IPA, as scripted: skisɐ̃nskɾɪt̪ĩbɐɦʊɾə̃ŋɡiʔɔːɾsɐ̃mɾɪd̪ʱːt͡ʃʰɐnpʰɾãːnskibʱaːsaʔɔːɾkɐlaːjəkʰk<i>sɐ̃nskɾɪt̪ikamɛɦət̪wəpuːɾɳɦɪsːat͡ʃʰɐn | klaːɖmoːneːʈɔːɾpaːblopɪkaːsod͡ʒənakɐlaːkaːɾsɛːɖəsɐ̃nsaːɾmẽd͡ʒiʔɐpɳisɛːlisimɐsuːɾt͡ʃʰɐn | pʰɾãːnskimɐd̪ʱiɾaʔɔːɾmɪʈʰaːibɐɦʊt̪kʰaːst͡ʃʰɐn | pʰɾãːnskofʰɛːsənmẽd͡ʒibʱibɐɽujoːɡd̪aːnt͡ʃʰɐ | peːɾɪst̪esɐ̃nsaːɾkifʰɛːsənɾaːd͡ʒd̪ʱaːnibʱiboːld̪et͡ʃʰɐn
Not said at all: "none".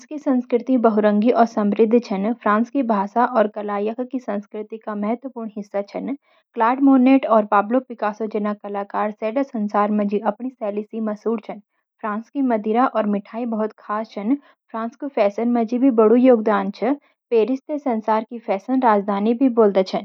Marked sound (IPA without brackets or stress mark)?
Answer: i